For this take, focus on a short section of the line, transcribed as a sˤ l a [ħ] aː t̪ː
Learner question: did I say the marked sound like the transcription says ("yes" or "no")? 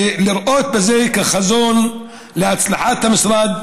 yes